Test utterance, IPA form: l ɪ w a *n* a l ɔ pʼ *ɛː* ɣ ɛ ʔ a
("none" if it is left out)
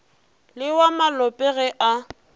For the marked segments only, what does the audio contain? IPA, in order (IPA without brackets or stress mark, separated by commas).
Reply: m, ɛ